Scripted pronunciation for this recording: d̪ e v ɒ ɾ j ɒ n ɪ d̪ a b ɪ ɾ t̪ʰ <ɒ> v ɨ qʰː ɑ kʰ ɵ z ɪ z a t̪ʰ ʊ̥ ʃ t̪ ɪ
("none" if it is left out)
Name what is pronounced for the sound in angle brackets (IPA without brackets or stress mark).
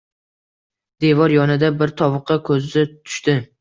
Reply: ɒ